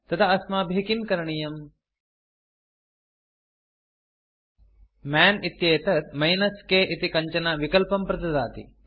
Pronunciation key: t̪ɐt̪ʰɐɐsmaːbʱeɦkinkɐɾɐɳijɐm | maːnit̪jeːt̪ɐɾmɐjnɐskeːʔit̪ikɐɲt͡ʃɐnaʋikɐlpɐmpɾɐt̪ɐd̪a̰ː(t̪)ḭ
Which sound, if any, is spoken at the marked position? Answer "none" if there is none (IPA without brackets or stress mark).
t̪